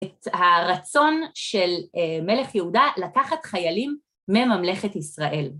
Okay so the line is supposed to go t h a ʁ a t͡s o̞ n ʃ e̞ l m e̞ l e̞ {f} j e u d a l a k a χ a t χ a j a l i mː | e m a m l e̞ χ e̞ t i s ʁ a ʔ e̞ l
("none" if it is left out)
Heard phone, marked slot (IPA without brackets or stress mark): χ